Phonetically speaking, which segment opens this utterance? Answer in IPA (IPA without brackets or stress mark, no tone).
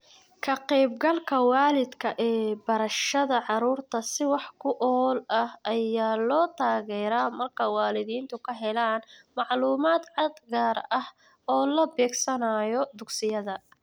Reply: kʰ